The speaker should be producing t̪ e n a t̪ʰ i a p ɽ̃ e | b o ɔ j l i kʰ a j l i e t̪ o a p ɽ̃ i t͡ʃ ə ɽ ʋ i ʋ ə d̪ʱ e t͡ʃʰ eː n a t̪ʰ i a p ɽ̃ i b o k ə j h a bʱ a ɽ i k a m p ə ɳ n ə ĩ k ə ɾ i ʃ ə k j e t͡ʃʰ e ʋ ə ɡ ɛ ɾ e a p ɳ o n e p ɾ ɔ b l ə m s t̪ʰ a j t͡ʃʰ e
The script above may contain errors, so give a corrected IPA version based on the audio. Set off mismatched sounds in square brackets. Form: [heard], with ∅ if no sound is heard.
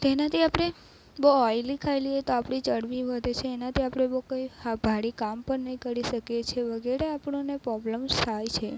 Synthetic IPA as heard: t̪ e n a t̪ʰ i a p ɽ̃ e | b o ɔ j l i kʰ a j l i e t̪ o a p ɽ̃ i t͡ʃ ə ɽ ʋ i ʋ ə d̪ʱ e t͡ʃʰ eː n a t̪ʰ i a p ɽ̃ [e] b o k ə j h a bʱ a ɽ i k a m p ə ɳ n ə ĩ k ə ɾ i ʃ ə k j e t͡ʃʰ e ʋ ə ɡ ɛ ɾ e a p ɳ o n e p ɾ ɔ b l ə m s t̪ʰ a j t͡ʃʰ e

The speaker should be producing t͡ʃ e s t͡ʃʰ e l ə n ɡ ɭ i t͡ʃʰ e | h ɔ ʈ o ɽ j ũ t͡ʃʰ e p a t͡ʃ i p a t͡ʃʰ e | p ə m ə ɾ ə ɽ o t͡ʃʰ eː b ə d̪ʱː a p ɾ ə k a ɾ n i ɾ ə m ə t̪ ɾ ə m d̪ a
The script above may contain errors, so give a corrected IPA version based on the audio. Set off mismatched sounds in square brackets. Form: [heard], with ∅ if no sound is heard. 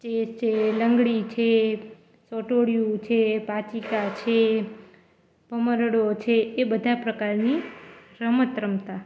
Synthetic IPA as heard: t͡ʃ e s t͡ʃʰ e l ə [ŋ] ɡ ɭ i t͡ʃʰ e | [s] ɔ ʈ o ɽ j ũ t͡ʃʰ e p a t͡ʃ i [k] a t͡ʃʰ e | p ə m ə ɾ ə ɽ o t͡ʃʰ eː b ə [d̪ʱ] a p ɾ ə k a ɾ n i ɾ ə m ə t̪ ɾ ə m [t̪] a

